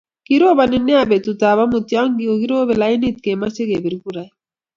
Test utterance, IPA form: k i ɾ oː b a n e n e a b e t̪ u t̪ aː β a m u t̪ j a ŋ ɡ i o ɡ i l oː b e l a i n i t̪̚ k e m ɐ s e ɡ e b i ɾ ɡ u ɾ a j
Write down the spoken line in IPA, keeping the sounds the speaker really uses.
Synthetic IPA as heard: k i ɾ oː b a n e n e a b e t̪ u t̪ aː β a m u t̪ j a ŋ ɡ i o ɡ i ɾ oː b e l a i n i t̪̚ k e m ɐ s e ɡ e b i ɾ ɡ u ɾ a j